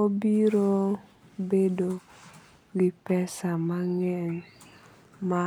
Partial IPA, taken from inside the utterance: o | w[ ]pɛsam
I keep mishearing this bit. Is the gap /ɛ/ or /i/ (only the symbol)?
i